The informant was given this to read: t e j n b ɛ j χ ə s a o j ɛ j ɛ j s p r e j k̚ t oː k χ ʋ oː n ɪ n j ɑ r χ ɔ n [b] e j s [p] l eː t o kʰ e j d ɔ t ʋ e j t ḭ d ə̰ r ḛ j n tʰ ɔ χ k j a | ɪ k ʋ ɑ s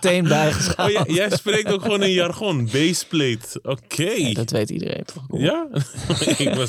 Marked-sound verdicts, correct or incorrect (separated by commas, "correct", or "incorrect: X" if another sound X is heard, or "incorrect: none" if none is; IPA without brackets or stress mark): correct, correct